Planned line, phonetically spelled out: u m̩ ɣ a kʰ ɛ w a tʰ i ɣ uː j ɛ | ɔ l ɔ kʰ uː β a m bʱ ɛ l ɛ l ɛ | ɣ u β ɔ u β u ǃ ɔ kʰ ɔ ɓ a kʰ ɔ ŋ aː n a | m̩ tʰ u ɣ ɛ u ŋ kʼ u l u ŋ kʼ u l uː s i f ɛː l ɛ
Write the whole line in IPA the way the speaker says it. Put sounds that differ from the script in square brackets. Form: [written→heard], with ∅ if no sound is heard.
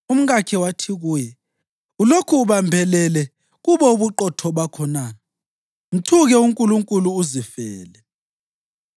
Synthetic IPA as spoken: u m̩ ɣ a kʰ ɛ w a tʰ i ɣ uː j ɛ | [ɔ→u] l [ɔ→o] kʰ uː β a m bʱ ɛ l ɛ l ɛ | ɣ u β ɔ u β u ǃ ɔ [kʰ→tʰ] ɔ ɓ a kʰ ɔ [ŋ→n] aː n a | m̩ tʰ u ɣ ɛ u ŋ kʼ u l u ŋ kʼ u l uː [s→z] i f ɛː l ɛ

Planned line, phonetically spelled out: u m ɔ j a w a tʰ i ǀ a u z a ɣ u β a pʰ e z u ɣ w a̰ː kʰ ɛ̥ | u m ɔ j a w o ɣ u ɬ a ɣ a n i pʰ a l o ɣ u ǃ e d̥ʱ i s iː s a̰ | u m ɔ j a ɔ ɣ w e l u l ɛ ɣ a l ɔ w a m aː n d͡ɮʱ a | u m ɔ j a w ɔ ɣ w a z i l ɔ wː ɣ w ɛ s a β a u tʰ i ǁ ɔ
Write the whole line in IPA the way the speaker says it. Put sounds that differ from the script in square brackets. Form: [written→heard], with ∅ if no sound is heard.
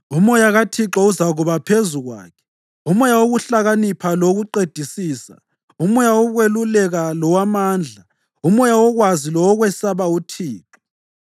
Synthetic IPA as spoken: u m ɔ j a [w→ɣ] a tʰ i [ǀ→ǁ] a u z a ɣ u β a pʰ e z u ɣ w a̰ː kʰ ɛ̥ | u m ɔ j a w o ɣ u ɬ a ɣ a n i pʰ a l o ɣ u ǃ e d̥ʱ i s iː s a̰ | u m ɔ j a ɔ ɣ w e l u l ɛ ɣ a l ɔ w a m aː n d͡ɮʱ a | u m ɔ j a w ɔ ɣ w a z i l ɔ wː ɣ w ɛ s a β a u tʰ [i→iː] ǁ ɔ

